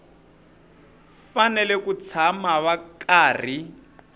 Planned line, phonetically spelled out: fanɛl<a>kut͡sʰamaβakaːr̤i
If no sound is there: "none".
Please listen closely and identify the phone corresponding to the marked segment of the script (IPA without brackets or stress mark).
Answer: ɛ